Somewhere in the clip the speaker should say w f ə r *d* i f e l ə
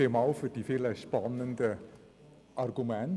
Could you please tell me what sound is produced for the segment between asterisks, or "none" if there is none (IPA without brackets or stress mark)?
d